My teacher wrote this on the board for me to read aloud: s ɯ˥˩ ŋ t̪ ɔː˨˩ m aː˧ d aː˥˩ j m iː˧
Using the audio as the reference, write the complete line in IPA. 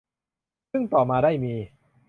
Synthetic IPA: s ɯ˥˩ ŋ t̪ ɔː˨˩ m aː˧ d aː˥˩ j m iː˧